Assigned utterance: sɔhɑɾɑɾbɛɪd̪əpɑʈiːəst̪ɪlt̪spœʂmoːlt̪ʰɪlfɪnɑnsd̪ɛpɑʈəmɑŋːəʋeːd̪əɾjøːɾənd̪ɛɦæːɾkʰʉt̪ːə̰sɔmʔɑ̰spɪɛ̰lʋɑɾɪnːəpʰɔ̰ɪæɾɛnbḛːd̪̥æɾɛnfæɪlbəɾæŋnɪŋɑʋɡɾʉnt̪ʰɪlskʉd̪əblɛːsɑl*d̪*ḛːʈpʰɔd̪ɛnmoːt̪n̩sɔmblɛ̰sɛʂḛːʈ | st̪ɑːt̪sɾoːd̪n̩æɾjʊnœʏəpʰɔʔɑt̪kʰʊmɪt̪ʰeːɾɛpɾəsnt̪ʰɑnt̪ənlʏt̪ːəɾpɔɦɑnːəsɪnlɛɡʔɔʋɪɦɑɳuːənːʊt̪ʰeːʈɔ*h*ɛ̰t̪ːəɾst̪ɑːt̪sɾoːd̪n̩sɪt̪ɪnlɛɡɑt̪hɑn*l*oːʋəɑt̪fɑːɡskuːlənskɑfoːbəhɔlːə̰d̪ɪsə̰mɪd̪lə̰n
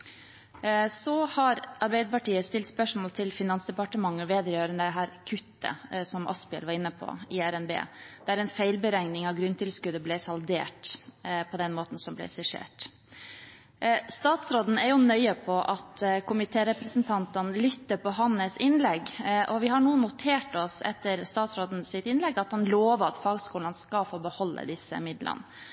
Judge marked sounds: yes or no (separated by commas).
yes, no, yes